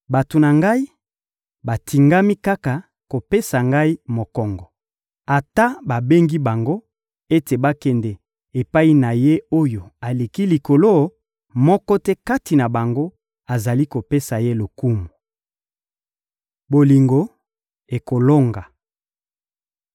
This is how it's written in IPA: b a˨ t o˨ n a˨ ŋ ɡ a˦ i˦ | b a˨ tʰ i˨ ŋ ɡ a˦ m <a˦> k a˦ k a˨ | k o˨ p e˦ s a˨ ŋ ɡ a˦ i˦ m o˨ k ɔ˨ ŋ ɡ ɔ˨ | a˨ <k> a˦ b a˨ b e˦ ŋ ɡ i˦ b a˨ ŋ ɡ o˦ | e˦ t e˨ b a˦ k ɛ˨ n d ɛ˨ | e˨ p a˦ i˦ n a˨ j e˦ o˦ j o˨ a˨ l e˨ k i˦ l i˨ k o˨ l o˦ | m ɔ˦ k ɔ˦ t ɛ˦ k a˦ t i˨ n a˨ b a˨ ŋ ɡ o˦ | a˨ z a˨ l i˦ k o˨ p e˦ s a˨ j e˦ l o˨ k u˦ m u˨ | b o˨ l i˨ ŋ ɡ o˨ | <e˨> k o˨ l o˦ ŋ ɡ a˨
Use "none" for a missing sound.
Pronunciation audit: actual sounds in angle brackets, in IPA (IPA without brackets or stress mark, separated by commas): i˦, t, e˨